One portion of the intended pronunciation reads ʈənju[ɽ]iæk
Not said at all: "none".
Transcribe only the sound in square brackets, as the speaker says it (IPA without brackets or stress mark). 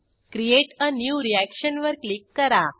ɾ